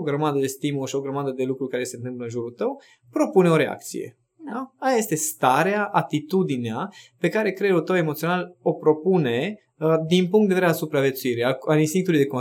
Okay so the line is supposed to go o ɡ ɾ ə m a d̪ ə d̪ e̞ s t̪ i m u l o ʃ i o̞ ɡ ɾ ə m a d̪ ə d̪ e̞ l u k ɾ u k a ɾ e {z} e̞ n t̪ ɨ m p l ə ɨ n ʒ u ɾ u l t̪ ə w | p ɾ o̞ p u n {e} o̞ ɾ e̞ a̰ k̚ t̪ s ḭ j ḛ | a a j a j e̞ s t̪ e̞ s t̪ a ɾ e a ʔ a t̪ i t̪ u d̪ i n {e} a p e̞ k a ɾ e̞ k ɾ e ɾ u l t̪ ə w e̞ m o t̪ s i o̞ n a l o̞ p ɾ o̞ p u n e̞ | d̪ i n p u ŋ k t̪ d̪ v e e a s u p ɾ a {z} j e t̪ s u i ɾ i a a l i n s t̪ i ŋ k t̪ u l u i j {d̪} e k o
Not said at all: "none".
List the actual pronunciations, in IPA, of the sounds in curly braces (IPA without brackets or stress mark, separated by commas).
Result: s, e, e, v, d̪